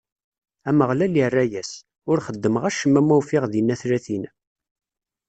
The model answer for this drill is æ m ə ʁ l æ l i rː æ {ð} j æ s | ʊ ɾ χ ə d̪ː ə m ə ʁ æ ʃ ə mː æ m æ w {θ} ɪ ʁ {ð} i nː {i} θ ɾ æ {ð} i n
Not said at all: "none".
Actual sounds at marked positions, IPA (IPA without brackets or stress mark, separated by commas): none, f, ð, æ, θ